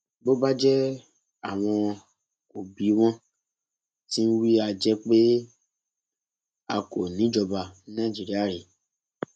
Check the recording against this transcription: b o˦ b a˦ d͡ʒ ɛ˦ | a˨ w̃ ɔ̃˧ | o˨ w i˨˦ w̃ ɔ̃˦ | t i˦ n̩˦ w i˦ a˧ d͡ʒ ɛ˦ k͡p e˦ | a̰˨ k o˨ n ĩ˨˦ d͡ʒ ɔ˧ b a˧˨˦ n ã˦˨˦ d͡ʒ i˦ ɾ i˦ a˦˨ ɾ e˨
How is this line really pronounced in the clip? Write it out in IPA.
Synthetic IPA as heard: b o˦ b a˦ d͡ʒ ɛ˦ | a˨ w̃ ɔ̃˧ | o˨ b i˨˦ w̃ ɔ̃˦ | t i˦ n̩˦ w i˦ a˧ d͡ʒ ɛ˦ k͡p e˦ | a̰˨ k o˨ n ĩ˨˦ d͡ʒ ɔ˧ b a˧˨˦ n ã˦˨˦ d͡ʒ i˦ ɾ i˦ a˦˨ ɾ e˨